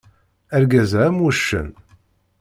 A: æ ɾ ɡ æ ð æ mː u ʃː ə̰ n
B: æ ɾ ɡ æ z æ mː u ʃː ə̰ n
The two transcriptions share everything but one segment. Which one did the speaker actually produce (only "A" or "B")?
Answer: B